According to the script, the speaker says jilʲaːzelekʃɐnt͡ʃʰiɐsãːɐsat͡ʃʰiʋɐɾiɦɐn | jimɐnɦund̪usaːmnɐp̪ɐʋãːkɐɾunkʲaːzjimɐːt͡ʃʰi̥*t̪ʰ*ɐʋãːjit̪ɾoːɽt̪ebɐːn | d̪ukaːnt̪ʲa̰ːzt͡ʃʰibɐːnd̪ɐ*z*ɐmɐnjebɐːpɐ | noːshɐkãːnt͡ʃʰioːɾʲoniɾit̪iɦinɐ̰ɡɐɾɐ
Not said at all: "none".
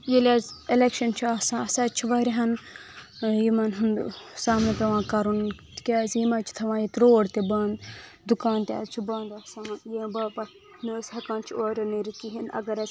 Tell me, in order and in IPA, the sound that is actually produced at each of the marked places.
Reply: t̪ʰ, s

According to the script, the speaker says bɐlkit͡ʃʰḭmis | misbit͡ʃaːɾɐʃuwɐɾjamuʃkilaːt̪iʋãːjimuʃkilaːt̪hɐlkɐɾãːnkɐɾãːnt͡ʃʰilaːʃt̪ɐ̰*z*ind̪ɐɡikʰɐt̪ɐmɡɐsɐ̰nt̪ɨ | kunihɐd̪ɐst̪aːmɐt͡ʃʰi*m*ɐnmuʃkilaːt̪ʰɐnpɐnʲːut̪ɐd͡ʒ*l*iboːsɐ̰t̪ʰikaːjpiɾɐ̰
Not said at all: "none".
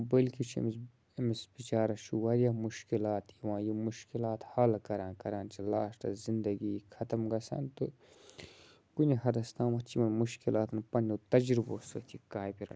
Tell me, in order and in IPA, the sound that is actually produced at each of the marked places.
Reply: z, m, ɾ

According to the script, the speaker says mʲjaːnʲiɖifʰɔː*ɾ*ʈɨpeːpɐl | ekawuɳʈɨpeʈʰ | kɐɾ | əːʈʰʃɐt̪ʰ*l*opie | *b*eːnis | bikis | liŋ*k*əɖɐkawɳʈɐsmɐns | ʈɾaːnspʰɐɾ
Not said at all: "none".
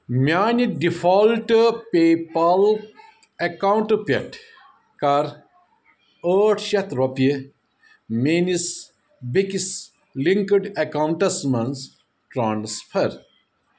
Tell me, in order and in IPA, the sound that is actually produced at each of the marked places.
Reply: l, ɾ, m, k

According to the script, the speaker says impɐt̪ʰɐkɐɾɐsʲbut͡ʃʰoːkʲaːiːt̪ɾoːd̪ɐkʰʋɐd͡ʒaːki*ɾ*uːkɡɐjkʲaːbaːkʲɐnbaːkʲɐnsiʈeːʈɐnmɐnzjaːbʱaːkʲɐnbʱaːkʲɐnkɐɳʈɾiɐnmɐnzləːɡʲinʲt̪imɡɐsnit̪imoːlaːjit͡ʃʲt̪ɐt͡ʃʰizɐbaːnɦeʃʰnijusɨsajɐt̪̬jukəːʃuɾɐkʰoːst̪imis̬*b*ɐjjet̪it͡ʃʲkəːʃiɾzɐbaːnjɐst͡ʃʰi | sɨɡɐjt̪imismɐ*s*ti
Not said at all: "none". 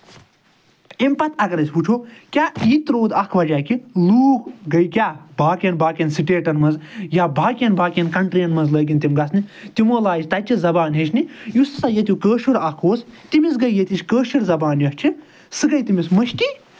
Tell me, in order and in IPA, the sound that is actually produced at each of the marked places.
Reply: l, ɡ, ʃ

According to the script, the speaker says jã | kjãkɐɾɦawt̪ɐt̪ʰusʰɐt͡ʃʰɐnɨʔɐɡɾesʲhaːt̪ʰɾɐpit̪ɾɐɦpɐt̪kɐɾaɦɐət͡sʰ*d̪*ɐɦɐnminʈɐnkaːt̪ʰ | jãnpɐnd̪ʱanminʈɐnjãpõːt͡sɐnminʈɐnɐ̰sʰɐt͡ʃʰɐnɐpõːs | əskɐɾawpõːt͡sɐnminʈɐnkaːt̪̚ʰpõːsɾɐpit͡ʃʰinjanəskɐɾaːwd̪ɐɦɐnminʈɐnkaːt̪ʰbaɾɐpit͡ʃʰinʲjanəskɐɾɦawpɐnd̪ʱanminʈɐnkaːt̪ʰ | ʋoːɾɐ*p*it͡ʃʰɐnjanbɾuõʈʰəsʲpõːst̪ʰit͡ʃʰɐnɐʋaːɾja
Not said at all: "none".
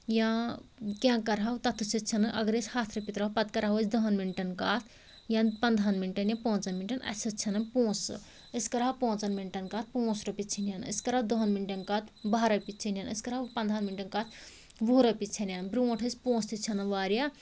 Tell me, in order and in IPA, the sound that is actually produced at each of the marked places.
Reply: d̪, p

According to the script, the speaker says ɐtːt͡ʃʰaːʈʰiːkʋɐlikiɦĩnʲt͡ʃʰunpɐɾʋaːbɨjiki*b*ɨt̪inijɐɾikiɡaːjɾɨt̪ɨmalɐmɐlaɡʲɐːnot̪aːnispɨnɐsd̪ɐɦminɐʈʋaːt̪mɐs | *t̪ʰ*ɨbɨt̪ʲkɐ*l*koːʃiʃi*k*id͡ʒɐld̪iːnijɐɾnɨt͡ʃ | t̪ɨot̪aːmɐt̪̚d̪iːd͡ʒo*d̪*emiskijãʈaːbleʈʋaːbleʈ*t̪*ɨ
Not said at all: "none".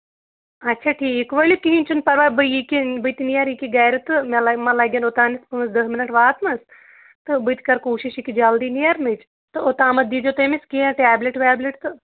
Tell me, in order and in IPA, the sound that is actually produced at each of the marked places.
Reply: b, t̪, ɾ, k, t̪, t̪

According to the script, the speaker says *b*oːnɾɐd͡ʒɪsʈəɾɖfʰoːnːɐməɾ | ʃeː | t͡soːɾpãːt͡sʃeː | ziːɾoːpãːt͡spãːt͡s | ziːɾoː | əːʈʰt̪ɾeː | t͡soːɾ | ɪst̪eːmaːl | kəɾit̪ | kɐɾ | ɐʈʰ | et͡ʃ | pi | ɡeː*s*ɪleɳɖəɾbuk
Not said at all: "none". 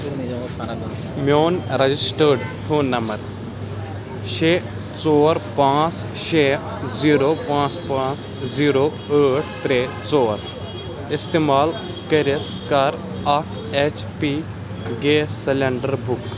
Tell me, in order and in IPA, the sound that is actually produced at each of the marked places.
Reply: m, s

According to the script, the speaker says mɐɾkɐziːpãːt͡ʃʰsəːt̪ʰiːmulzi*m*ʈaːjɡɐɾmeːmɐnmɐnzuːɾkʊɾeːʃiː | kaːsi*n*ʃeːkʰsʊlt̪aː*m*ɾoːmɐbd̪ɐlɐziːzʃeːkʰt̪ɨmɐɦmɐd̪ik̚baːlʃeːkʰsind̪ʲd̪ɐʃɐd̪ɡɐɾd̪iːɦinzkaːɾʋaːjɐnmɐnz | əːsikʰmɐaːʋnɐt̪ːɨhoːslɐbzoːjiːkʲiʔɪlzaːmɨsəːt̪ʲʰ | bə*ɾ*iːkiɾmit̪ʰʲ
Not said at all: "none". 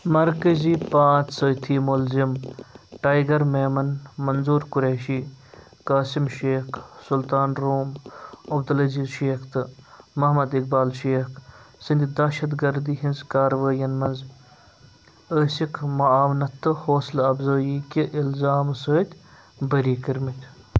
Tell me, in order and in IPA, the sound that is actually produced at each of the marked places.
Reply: m, m, n, ɾ

